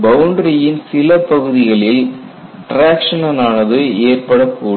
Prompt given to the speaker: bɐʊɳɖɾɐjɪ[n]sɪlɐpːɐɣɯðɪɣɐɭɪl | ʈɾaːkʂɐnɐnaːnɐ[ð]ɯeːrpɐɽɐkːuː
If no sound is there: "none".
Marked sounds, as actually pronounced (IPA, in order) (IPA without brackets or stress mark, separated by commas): n, ð